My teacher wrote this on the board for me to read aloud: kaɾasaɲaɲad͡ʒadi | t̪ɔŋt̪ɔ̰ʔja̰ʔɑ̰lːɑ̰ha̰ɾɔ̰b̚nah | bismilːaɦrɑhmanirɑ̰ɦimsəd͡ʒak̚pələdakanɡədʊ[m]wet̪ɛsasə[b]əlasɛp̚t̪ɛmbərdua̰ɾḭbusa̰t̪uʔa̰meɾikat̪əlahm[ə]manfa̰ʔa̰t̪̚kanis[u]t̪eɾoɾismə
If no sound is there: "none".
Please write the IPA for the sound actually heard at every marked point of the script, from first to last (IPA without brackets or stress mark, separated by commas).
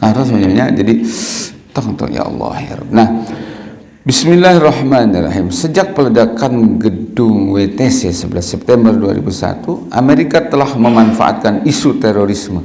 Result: ŋ, b, ə, u